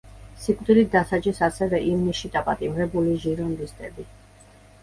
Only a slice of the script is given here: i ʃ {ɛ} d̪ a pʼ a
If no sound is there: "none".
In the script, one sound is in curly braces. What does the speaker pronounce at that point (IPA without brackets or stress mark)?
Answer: i